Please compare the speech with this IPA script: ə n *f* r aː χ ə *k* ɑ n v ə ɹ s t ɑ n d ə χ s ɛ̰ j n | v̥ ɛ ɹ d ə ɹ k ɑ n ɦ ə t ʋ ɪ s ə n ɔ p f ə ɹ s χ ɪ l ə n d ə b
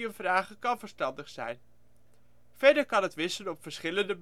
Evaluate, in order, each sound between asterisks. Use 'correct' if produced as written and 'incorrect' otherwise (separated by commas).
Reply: incorrect, correct